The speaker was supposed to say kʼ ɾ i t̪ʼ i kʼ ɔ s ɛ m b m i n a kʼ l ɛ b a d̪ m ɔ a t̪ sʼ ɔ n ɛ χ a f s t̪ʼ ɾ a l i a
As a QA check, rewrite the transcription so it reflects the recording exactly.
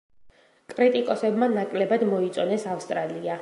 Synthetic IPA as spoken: kʼ ɾ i t̪ʼ i kʼ ɔ s ɛ b m a n a kʼ l ɛ b a d̪ m ɔ i t̪ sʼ ɔ n ɛ s a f s t̪ʼ ɾ a l i a